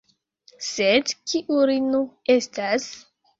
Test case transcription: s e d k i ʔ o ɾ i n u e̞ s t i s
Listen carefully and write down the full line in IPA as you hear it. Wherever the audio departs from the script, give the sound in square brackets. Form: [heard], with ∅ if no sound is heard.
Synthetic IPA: s e d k i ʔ [u] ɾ i n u e̞ s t [a] s

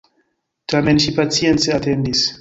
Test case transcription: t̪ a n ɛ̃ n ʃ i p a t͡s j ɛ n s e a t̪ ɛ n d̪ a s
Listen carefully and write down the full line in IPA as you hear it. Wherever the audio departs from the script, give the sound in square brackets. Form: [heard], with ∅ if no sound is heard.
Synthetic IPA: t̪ a [m] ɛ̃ n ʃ i p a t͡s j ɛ n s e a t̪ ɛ n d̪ [i] s

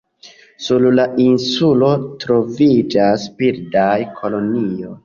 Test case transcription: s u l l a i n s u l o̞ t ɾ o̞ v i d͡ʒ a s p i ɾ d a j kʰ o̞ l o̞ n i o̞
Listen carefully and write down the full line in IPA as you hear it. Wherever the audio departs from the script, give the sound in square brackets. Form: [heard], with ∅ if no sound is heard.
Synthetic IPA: s u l l a i n s u l o̞ t ɾ o̞ v i d͡ʒ a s p i ɾ d a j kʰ o̞ l o̞ n i o̞

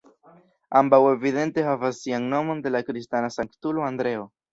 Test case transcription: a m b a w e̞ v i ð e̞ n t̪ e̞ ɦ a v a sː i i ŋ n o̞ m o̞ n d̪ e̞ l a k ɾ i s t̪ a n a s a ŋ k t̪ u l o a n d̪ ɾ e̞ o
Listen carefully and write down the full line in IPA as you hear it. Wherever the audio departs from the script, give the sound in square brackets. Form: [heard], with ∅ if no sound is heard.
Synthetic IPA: a m b a w e̞ v i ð e̞ n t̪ e̞ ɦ a v a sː i [a] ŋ n o̞ m o̞ n d̪ e̞ l a k ɾ i s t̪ a n a s a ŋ k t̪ u l o a n d̪ ɾ e̞ o

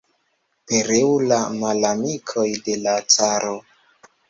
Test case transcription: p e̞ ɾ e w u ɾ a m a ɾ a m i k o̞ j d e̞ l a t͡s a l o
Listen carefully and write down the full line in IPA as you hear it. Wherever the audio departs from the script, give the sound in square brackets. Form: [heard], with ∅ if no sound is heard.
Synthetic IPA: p e̞ ɾ e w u [l] a m a [l] a m i [kʰ] o̞ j d e̞ l a t͡s a [ɾ] o

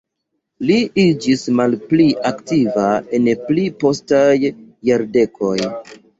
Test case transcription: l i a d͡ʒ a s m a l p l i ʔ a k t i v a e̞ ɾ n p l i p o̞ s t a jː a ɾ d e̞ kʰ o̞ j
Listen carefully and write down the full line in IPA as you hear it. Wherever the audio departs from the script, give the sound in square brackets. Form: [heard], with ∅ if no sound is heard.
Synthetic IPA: l i [i] d͡ʒ [i] s m a l p l i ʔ a k t i v a e̞ [∅] n p l i p o̞ s t a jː a ɾ d e̞ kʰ o̞ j

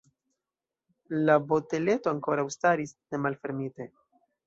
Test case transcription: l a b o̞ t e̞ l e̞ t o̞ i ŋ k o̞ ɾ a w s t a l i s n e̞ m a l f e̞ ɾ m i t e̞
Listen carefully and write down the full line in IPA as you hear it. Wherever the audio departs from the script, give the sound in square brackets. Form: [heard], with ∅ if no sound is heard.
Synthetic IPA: l a b o̞ t e̞ l e̞ t o̞ [a] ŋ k o̞ ɾ a w s t a [ɾ] i s n e̞ m a l f e̞ ɾ m i t e̞

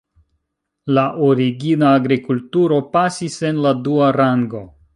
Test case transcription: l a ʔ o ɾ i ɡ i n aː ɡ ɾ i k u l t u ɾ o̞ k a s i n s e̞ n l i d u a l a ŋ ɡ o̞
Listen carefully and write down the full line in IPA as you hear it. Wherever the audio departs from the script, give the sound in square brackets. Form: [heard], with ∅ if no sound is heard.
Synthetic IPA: l a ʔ o ɾ i ɡ i n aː ɡ ɾ i k u l t u ɾ o̞ [p] a s i [∅] s e̞ n l [a] d u a [ɾ] a ŋ ɡ o̞

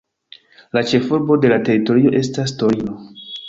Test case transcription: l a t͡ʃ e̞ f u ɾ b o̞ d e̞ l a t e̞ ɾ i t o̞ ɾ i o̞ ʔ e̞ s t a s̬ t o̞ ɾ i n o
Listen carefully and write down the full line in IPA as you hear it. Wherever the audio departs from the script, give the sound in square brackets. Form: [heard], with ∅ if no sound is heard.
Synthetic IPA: l a t͡ʃ e̞ f u ɾ b o̞ d e̞ l a t e̞ ɾ i t o̞ ɾ i o̞ ʔ e̞ s t a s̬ t o̞ ɾ i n o

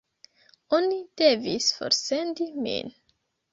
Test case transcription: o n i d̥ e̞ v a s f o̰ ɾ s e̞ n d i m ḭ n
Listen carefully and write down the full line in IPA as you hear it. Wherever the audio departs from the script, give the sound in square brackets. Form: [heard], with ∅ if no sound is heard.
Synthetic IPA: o n i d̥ e̞ v [i] s f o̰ ɾ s e̞ n d i m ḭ n

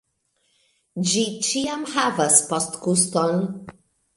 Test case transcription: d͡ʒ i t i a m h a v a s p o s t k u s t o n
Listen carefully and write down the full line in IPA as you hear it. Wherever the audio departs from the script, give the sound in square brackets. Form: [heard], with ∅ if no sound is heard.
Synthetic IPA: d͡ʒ i [t͡ʃ] i a m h a v a s p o s t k u s t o n

